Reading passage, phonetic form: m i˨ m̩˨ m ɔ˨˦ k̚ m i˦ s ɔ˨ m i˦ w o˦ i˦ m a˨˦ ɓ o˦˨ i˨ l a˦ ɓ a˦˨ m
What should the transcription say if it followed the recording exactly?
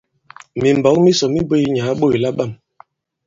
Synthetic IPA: m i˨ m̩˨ b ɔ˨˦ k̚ m i˦ s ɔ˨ m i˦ b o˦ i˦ ɲ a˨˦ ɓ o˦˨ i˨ l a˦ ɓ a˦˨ m